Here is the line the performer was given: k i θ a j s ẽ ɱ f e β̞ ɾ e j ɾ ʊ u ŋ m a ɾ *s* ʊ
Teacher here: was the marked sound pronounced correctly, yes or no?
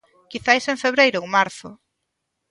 no